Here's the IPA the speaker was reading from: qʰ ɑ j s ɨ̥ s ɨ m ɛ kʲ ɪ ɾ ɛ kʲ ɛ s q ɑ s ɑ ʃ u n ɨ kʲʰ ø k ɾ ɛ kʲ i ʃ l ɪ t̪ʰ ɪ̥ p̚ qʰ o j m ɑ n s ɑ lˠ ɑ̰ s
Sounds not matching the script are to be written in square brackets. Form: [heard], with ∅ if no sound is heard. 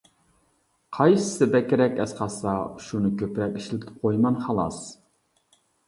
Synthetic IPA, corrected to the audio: qʰ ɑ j s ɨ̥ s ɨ [b] ɛ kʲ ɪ ɾ ɛ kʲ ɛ s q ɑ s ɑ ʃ u n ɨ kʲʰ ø [p] ɾ ɛ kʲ i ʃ l ɪ t̪ʰ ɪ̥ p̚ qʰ o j m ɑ n [χ] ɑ lˠ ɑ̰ s

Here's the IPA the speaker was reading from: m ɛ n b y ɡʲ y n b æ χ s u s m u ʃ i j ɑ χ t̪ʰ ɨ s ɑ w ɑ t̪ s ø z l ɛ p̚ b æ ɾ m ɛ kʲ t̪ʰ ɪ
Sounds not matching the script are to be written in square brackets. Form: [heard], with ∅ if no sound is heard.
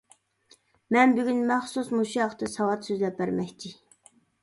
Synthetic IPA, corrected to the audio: m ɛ n b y ɡʲ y n [m] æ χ s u s m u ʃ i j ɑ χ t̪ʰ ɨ s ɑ w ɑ t̪ s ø z l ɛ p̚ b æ ɾ m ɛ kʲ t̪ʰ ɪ

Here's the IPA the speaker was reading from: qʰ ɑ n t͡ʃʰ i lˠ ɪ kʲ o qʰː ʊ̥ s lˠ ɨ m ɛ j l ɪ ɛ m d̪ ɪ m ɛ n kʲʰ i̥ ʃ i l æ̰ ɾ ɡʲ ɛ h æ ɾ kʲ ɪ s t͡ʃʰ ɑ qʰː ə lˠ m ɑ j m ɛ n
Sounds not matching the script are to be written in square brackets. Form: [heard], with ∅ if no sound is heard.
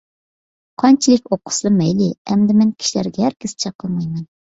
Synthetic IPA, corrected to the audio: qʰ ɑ n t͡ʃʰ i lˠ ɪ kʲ o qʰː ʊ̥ s lˠ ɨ m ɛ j l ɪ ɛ m d̪ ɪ m ɛ n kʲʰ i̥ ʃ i l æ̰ ɾ ɡʲ ɛ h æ ɾ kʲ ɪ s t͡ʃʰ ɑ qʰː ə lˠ m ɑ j m ɛ n

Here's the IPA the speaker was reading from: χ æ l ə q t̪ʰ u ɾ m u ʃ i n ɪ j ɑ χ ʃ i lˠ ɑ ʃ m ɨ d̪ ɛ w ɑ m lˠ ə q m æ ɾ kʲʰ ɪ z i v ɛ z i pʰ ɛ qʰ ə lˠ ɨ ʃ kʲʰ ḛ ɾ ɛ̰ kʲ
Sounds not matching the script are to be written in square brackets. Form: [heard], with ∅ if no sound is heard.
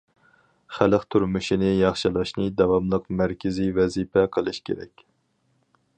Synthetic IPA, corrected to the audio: χ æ l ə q t̪ʰ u ɾ m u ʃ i n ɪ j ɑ χ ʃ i lˠ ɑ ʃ [n] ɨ d̪ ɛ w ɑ m lˠ ə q m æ ɾ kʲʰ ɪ z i v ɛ z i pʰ ɛ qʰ ə lˠ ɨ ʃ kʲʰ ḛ ɾ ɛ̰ kʲ

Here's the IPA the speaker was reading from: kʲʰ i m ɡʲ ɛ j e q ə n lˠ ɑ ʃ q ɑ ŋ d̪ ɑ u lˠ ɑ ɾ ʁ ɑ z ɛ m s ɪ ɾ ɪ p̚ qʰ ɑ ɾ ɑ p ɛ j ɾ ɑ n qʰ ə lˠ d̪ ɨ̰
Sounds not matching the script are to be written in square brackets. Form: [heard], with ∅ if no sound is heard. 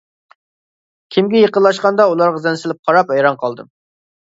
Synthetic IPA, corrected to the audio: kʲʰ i m ɡʲ ɛ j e q ə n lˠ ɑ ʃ q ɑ [n] d̪ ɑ u lˠ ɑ ɾ ʁ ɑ z ɛ [n] s ɪ [l] ɪ p̚ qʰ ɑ ɾ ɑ p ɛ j ɾ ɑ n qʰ [ɑ] lˠ d̪ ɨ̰

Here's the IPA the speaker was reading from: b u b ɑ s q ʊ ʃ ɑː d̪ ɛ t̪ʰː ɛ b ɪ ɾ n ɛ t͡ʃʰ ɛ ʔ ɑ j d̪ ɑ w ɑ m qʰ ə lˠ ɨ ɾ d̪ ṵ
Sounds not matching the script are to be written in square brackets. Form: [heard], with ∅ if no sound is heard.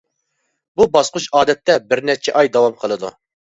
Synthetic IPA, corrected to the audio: b u b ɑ s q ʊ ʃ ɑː d̪ ɛ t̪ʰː ɛ b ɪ ɾ n ɛ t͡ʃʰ ɛ ʔ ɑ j d̪ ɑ w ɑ m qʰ ə lˠ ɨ [∅] d̪ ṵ

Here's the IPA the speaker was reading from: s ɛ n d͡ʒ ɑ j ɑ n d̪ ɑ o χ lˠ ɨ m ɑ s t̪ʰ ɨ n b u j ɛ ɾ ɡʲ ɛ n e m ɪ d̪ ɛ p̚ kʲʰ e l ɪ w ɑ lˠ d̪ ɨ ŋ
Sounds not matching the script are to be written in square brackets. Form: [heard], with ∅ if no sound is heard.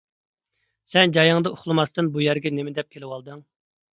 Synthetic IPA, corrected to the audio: s ɛ n d͡ʒ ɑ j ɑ [ŋ] d̪ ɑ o χ lˠ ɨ m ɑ s [t̪] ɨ n b u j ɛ ɾ ɡʲ ɛ n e m ɪ d̪ ɛ p̚ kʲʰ e l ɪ w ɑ lˠ d̪ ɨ ŋ

